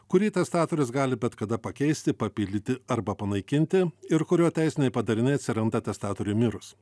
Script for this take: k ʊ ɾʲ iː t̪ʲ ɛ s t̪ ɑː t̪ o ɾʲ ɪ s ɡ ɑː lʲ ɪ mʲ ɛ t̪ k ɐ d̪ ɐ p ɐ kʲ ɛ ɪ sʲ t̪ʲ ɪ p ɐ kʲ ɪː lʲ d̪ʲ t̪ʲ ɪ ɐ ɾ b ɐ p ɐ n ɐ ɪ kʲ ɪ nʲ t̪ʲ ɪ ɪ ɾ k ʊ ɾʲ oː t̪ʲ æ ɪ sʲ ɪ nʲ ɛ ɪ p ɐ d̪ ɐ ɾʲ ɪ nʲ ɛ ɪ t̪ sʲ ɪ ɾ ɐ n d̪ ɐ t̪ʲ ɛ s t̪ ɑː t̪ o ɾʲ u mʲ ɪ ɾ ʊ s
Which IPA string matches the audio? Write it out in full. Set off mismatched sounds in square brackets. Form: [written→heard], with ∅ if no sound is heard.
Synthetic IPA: k ʊ ɾʲ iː t̪ʲ ɛ s t̪ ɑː t̪ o ɾʲ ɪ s ɡ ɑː lʲ ɪ [mʲ→bʲ] ɛ t̪ k ɐ d̪ ɐ p ɐ kʲ ɛ ɪ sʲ t̪ʲ ɪ p ɐ [kʲ→pʲ] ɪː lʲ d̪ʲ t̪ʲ ɪ ɐ ɾ b ɐ p ɐ n ɐ ɪ kʲ ɪ nʲ t̪ʲ ɪ ɪ ɾ k ʊ ɾʲ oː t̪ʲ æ ɪ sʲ ɪ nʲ ɛ ɪ p ɐ d̪ ɐ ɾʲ ɪ nʲ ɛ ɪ t̪ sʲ ɪ ɾ ɐ n d̪ ɐ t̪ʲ ɛ s t̪ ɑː t̪ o ɾʲ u mʲ ɪ ɾ ʊ s

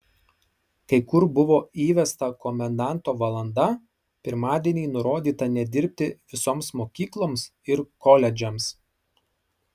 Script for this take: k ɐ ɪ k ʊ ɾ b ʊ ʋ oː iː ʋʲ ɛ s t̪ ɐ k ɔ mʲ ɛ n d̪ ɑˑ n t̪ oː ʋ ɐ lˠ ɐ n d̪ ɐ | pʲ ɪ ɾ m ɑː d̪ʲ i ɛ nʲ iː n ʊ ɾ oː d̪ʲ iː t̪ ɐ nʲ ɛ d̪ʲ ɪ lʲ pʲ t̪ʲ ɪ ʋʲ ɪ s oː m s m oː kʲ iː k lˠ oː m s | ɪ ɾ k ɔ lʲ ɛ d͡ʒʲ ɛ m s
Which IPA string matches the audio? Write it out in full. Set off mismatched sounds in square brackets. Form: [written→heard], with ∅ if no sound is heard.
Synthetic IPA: k ɐ ɪ k ʊ ɾ b ʊ ʋ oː iː ʋʲ ɛ s t̪ ɐ k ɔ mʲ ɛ n d̪ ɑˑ n t̪ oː ʋ ɐ lˠ ɐ n d̪ ɐ | pʲ ɪ ɾ m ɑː d̪ʲ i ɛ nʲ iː n ʊ ɾ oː d̪ʲ iː t̪ ɐ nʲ ɛ d̪ʲ ɪ [lʲ→ɾʲ] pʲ t̪ʲ ɪ ʋʲ ɪ s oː m s m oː kʲ iː k lˠ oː m s | ɪ ɾ k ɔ lʲ ɛ d͡ʒʲ ɛ m s

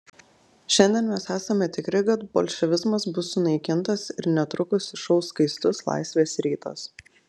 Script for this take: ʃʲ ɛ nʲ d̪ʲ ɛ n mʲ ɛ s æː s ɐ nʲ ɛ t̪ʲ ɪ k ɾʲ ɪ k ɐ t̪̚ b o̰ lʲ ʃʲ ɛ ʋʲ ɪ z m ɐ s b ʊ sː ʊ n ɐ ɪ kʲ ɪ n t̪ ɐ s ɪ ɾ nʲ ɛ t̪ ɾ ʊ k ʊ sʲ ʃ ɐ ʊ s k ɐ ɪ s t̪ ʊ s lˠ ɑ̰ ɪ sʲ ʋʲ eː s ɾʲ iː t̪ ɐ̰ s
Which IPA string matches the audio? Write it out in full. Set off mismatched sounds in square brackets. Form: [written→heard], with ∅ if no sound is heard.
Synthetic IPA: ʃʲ ɛ nʲ d̪ʲ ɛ n mʲ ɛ s æː s ɐ [nʲ→mʲ] ɛ t̪ʲ ɪ k ɾʲ ɪ k ɐ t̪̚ b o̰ lʲ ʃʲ ɛ ʋʲ ɪ z m ɐ s b ʊ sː ʊ n ɐ ɪ kʲ ɪ n t̪ ɐ s ɪ ɾ nʲ ɛ t̪ ɾ ʊ k ʊ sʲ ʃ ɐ ʊ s k ɐ ɪ s t̪ ʊ s lˠ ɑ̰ ɪ sʲ ʋʲ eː s ɾʲ iː t̪ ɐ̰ s

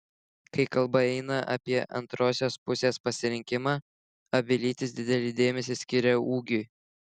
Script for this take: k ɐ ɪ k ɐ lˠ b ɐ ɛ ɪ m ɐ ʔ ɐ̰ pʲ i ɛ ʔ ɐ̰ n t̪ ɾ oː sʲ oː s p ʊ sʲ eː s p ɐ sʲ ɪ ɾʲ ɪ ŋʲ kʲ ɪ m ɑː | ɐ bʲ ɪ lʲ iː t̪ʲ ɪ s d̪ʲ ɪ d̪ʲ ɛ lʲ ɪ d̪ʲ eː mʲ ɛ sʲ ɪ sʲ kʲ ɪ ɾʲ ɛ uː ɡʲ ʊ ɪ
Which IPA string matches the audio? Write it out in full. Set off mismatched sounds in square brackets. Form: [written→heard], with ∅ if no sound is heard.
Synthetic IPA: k ɐ ɪ k ɐ lˠ b ɐ ɛ ɪ [m→n] ɐ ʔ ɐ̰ pʲ i ɛ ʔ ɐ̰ n t̪ ɾ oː sʲ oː s p ʊ sʲ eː s p ɐ sʲ ɪ ɾʲ ɪ ŋʲ kʲ ɪ m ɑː | ɐ bʲ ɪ lʲ iː t̪ʲ ɪ s d̪ʲ ɪ d̪ʲ ɛ lʲ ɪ d̪ʲ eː mʲ ɛ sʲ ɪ sʲ kʲ ɪ ɾʲ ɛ uː ɡʲ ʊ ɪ

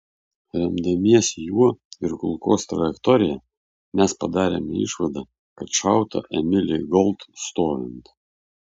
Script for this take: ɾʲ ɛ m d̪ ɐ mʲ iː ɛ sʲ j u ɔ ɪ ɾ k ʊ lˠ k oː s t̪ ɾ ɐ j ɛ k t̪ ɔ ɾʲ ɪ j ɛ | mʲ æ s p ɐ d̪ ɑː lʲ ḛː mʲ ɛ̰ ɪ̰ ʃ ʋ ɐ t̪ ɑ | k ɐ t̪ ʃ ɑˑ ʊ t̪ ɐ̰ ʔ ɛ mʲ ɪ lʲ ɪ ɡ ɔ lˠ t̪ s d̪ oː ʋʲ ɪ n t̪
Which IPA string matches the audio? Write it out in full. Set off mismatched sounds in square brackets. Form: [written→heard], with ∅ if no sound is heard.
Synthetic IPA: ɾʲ ɛ m d̪ ɐ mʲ [iː→i] ɛ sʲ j u ɔ ɪ ɾ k ʊ lˠ k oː s t̪ ɾ ɐ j ɛ k t̪ ɔ ɾʲ ɪ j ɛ | mʲ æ s p ɐ d̪ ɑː [lʲ→ɾʲ] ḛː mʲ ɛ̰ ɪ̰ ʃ ʋ ɐ [t̪→d̪] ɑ | k ɐ t̪ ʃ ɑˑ ʊ t̪ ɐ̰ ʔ ɛ mʲ ɪ lʲ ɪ ɡ ɔ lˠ t̪ s [d̪→t̪] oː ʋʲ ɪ n t̪

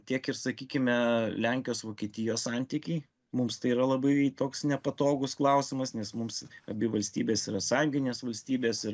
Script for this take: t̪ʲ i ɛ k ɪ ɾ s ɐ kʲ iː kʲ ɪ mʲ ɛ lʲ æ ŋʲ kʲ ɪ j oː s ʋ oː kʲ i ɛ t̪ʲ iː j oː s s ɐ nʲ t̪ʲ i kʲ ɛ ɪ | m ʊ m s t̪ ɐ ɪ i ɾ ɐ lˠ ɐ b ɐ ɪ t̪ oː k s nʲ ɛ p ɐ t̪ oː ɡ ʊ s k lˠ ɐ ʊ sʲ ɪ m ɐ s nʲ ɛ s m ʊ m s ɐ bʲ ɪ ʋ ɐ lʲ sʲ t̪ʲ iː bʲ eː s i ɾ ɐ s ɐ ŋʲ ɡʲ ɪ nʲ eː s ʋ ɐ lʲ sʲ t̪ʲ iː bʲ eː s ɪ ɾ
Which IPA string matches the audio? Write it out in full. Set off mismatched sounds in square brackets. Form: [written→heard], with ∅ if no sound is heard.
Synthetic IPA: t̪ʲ i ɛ k ɪ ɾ s ɐ kʲ iː kʲ ɪ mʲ ɛ lʲ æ ŋʲ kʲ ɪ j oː s ʋ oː kʲ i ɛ t̪ʲ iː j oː s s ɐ nʲ t̪ʲ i kʲ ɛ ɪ | m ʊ m s t̪ ɐ ɪ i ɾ ɐ lˠ ɐ b ɐ ɪ t̪ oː k s nʲ ɛ p ɐ t̪ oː ɡ ʊ s k lˠ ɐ ʊ sʲ ɪ m ɐ s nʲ ɛ s m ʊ m s ɐ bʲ ɪ ʋ ɐ lʲ sʲ t̪ʲ iː bʲ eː s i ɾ ɐ s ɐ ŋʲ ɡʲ ɪ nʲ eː s ʋ ɐ lʲ sʲ t̪ʲ iː bʲ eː s ɪ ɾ

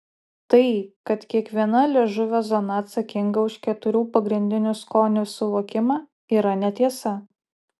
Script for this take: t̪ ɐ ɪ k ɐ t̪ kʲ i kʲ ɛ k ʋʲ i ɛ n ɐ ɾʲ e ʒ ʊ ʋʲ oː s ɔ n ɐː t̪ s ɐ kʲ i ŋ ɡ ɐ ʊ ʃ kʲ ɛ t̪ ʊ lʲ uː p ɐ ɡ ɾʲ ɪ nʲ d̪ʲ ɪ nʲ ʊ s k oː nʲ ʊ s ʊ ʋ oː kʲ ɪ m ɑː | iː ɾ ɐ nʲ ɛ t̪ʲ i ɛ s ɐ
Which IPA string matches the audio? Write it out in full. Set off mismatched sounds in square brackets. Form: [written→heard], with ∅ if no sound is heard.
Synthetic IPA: t̪ ɐ ɪ k ɐ t̪ kʲ i [kʲ→∅] ɛ k ʋʲ i ɛ n ɐ [ɾʲ→lʲ] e ʒ ʊ ʋʲ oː [s→z] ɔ n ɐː t̪ s ɐ kʲ [i→ɪ] ŋ ɡ ɐ ʊ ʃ kʲ ɛ t̪ ʊ [lʲ→ɾʲ] uː p ɐ ɡ ɾʲ ɪ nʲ d̪ʲ ɪ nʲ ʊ s k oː nʲ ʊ s ʊ ʋ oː kʲ ɪ m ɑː | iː ɾ ɐ nʲ ɛ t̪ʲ i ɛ s ɐ

